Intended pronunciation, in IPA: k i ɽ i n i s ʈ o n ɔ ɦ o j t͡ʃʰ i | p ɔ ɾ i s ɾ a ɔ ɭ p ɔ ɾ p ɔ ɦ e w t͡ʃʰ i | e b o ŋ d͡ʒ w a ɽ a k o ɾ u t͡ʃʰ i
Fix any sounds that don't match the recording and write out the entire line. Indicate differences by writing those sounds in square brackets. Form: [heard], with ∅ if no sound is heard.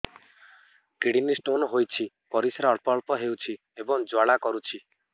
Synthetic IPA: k i ɽ i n i s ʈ o n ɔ ɦ o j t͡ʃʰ i | p ɔ ɾ i s ɾ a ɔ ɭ p ɔ [ɭ] p ɔ ɦ e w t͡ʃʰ i | e b [ɔ] ŋ d͡ʒ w a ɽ a k [ɔ] ɾ u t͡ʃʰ i